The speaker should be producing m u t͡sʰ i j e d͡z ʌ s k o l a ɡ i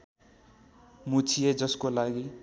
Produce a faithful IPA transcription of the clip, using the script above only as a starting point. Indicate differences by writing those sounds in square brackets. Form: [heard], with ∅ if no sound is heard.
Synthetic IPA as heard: m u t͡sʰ i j e d͡z ʌ s k o l a ɡ i